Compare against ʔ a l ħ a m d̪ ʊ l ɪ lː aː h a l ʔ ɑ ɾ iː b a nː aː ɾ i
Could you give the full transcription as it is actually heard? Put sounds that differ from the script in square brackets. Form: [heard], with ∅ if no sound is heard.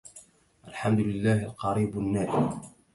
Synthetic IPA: ʔ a l ħ a m d̪ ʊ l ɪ lː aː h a l [q] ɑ ɾ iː b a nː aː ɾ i